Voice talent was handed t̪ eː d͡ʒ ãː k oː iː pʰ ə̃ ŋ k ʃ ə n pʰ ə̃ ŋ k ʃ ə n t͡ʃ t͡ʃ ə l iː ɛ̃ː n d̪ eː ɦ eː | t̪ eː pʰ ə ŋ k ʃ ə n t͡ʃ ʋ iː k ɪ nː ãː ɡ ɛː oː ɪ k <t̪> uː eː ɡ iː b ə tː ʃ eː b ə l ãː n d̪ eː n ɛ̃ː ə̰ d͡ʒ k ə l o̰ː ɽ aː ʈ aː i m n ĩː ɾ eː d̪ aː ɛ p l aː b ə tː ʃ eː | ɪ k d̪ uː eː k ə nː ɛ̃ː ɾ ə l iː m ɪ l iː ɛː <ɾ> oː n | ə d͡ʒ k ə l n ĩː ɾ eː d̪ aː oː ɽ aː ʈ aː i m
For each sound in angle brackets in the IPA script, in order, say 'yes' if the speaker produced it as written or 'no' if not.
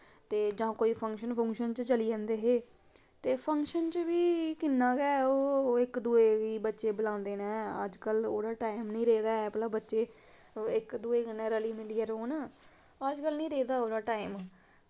no, yes

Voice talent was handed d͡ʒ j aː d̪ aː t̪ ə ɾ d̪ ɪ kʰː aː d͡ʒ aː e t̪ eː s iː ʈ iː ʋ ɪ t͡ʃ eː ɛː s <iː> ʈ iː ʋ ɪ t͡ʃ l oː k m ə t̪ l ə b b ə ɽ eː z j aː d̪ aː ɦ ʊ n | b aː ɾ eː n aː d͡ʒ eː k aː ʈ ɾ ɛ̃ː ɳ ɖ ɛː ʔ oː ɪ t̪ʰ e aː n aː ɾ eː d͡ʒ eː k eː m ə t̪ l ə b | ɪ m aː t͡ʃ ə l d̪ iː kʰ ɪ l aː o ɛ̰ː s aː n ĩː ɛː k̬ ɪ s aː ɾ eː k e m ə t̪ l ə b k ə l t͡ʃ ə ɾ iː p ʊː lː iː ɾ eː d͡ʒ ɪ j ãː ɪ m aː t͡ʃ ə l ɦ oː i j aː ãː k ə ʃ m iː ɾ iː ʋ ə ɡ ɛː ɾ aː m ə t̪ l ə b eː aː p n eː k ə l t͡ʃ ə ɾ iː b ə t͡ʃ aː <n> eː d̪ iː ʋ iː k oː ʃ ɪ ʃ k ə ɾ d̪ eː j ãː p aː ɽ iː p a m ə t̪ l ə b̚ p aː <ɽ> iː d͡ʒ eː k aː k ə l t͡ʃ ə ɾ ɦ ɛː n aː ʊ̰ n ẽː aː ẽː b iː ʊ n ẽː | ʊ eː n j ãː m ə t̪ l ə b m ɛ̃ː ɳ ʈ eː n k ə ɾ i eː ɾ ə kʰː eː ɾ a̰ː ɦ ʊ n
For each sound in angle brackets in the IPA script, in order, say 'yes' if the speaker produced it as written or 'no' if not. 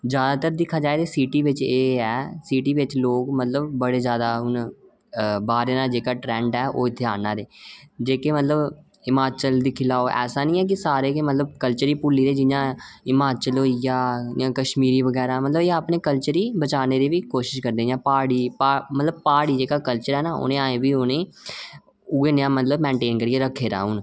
yes, yes, yes

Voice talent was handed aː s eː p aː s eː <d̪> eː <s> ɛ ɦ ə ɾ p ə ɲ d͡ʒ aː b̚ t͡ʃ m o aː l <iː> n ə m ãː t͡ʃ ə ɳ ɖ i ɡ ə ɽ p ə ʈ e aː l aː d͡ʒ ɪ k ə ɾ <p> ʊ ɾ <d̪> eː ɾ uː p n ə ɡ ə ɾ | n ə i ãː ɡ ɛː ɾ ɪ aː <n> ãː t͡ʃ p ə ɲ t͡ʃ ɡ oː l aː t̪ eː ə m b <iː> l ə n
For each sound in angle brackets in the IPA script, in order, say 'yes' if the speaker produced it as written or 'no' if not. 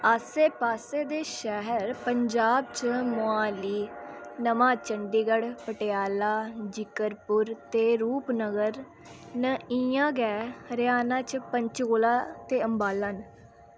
yes, no, yes, yes, no, yes, no

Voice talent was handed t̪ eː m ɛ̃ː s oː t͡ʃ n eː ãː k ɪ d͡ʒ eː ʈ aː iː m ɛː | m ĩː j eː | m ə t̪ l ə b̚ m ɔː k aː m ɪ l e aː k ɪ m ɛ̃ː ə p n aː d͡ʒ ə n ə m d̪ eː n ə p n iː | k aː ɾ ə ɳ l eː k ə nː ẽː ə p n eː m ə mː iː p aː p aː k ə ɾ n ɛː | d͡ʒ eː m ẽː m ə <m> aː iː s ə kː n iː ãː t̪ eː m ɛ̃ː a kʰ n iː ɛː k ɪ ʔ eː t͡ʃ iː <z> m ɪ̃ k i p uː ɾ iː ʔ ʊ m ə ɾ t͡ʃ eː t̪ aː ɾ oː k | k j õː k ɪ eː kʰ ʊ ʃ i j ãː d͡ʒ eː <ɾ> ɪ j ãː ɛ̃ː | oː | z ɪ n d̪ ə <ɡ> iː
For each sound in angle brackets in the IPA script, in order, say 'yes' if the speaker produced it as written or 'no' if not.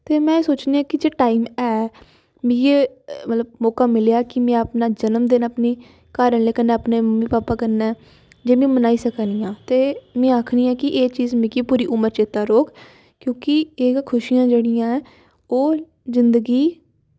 no, yes, no, yes

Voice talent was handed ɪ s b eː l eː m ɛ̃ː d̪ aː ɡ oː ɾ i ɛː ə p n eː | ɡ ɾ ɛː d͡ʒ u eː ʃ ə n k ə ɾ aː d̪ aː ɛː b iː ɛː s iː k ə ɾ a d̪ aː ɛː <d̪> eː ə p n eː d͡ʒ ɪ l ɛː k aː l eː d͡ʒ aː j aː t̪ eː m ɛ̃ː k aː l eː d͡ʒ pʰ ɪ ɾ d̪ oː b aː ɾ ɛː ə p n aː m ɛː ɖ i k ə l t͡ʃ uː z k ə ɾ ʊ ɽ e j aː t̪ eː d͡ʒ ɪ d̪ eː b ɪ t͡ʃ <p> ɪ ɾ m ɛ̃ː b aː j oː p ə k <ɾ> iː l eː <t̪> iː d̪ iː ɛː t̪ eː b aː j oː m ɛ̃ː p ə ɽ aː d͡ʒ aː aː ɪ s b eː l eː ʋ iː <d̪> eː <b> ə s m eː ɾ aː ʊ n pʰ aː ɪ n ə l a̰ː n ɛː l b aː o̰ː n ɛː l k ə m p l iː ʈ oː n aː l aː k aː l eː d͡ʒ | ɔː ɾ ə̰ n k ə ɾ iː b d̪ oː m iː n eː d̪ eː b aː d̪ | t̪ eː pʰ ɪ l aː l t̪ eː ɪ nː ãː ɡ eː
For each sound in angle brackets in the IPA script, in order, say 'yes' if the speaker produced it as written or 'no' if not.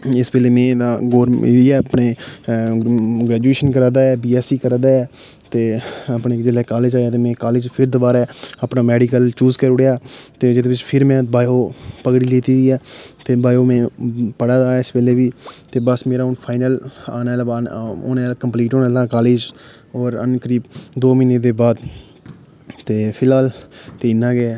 no, no, no, yes, no, yes

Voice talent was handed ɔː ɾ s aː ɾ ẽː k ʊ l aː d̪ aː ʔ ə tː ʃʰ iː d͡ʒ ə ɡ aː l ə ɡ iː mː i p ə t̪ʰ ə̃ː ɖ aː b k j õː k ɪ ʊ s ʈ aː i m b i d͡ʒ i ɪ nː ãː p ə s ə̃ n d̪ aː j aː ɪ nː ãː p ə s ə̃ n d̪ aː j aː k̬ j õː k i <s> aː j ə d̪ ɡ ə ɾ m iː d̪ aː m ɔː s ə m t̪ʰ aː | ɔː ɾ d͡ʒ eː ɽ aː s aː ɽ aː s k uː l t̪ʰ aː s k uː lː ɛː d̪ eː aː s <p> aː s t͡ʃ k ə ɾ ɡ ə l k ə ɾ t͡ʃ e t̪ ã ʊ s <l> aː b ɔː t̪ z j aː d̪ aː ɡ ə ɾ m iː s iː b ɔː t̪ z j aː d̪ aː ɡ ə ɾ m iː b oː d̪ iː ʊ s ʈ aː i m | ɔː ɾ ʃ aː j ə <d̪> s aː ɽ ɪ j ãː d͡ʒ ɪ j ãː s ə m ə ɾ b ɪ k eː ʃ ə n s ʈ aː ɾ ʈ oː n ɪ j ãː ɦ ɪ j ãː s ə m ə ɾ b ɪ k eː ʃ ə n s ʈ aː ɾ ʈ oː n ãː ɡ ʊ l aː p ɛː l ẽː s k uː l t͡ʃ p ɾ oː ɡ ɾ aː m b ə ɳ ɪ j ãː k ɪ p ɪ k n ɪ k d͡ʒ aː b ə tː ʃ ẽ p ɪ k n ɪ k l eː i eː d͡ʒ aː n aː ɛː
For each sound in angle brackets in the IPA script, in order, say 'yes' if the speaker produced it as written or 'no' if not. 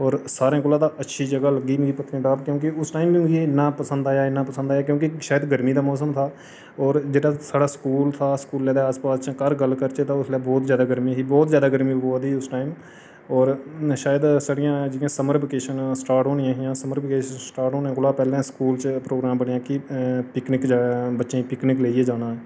no, yes, yes, yes

